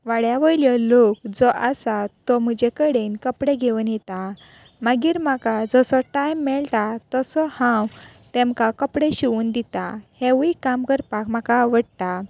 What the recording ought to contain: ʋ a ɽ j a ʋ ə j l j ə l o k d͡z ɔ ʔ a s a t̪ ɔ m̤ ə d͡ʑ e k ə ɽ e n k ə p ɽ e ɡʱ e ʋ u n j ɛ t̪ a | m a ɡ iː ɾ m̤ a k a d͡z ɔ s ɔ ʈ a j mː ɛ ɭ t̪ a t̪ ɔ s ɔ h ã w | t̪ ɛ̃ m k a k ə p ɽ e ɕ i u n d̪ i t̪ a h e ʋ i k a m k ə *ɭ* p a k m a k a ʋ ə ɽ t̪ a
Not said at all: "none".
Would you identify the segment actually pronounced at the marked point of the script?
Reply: ɾ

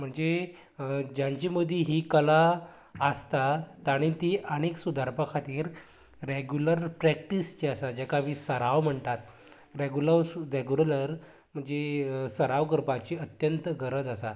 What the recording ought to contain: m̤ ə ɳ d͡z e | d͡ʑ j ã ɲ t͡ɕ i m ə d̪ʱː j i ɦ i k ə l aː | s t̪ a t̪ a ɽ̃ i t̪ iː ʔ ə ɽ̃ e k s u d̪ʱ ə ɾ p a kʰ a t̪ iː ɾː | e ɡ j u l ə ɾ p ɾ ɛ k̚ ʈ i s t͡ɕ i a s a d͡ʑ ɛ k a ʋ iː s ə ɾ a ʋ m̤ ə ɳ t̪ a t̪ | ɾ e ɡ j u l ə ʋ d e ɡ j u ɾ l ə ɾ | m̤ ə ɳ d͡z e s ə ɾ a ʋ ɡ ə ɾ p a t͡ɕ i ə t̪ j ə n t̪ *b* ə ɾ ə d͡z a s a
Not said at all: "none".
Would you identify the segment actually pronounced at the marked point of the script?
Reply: ɡ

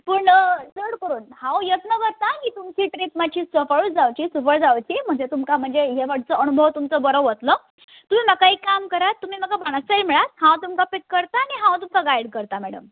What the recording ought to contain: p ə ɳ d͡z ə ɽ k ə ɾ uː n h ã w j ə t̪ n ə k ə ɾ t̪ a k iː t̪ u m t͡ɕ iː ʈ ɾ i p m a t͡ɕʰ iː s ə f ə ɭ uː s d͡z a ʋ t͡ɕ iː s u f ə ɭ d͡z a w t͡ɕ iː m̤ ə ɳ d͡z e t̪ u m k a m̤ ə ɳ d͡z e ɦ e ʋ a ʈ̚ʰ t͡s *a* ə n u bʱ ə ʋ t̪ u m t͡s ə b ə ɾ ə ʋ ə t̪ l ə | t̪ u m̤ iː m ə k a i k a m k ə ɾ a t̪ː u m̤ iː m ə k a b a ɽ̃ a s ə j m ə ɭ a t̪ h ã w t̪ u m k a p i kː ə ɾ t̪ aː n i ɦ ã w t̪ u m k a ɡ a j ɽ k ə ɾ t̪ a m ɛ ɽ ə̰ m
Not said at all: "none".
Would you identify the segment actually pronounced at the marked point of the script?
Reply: ə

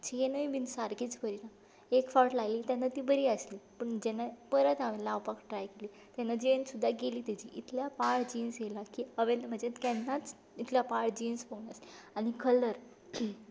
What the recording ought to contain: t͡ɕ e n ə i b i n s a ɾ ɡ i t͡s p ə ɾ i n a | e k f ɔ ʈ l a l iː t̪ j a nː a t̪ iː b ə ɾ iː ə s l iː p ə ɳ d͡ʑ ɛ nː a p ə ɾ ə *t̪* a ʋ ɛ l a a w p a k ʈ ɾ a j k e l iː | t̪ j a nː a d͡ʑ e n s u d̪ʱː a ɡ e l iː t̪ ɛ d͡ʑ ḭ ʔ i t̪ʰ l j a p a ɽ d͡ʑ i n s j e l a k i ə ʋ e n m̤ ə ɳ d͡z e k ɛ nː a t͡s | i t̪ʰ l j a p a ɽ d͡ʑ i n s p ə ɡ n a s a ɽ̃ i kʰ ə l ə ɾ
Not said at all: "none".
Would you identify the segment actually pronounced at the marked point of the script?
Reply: t̪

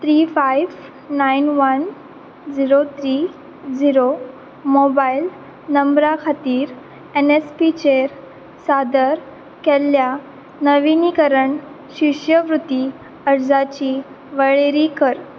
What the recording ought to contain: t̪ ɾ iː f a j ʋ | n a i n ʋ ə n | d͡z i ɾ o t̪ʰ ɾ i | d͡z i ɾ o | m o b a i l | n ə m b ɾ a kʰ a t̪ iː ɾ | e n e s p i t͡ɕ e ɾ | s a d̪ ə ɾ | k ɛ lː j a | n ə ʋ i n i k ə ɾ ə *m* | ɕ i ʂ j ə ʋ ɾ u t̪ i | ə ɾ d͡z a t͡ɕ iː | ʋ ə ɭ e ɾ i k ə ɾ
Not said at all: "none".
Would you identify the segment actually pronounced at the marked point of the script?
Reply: ɳ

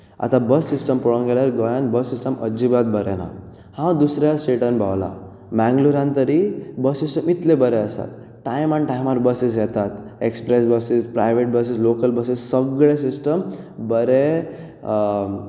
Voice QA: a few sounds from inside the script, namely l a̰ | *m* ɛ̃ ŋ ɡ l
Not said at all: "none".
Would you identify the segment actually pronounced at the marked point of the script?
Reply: m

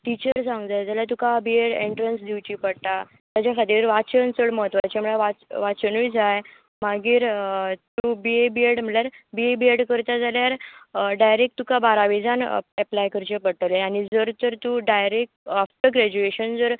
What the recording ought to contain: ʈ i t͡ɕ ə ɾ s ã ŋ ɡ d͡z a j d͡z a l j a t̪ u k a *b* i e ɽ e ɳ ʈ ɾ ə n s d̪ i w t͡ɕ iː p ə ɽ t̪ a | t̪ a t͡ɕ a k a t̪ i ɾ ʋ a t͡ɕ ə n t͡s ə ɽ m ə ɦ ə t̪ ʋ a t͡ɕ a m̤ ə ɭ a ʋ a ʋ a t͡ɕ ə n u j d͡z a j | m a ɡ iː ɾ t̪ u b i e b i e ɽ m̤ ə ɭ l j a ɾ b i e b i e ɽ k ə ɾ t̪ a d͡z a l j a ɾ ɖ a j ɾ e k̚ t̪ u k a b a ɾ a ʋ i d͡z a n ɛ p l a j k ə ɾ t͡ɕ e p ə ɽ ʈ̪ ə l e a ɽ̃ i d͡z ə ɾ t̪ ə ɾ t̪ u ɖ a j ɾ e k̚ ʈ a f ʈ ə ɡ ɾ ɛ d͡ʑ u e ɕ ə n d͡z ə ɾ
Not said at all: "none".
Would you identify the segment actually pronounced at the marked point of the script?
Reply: b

